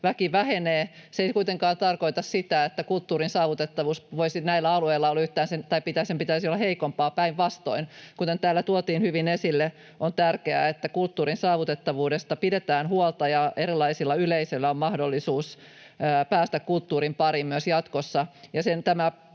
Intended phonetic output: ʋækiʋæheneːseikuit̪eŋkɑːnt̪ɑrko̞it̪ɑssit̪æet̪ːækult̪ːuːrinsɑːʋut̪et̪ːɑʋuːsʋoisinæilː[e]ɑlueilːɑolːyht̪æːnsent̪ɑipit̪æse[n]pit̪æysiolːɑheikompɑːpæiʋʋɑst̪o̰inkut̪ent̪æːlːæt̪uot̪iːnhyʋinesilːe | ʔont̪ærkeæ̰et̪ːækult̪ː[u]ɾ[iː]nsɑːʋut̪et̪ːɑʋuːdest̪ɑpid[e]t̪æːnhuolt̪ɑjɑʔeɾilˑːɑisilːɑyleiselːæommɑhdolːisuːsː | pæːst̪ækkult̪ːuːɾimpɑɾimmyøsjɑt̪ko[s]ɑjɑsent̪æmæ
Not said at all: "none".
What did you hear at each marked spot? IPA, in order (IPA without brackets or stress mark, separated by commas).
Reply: æ, m, uː, i, e, sː